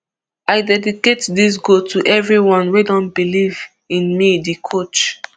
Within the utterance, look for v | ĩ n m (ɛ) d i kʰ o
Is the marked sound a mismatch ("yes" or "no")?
yes